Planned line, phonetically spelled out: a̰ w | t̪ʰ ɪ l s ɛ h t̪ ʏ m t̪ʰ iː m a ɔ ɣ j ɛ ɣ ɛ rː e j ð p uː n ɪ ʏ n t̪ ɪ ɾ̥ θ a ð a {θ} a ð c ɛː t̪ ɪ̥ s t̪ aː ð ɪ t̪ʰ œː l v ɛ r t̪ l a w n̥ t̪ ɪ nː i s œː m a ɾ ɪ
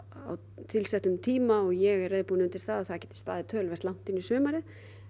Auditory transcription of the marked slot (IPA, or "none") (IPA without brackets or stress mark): θ